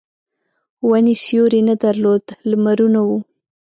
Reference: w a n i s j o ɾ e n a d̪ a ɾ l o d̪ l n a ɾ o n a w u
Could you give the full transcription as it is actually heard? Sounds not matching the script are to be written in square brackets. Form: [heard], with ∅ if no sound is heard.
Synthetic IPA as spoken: w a n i s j o ɾ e n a d̪ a ɾ l o d̪ l [m] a ɾ [u] n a w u